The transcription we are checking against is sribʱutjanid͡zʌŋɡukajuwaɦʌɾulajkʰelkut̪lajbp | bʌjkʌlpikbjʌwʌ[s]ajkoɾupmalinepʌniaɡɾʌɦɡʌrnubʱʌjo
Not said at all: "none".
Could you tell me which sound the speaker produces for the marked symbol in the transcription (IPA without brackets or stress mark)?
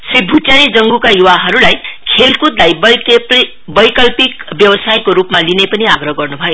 s